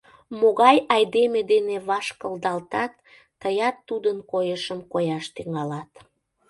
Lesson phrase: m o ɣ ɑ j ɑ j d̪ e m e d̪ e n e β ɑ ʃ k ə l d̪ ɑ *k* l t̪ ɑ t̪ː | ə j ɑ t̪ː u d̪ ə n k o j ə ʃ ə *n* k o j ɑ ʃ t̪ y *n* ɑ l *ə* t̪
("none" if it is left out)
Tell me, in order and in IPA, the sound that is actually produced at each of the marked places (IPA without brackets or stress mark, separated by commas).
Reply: none, m, ŋ, ɑ